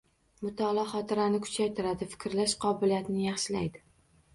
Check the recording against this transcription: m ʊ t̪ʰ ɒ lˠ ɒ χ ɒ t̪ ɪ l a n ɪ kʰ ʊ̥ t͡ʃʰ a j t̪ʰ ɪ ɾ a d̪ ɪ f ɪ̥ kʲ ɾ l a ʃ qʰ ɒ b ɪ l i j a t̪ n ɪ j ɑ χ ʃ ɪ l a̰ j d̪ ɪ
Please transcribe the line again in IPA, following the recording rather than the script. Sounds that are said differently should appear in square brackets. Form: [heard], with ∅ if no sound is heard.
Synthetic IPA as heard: m ʊ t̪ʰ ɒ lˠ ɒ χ ɒ t̪ ɪ [ɾ] a n ɪ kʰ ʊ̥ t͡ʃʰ a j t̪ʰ ɪ ɾ a d̪ ɪ f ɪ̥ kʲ ɾ l a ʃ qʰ ɒ b ɪ l i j a t̪ n ɪ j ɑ χ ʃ ɪ l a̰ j d̪ ɪ